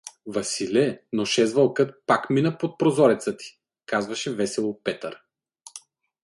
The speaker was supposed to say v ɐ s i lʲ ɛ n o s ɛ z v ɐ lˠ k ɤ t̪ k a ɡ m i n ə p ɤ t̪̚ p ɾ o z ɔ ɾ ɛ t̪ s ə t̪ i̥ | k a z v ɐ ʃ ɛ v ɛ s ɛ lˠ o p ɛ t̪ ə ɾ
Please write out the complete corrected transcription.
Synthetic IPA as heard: v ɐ s i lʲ ɛ n o ʃ ɛ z v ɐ lˠ k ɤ t̪ p a k m i n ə p o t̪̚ p ɾ o z ɔ ɾ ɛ t̪ s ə t̪ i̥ | k a z v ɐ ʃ ɛ v ɛ s ɛ lˠ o p ɛ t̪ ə ɾ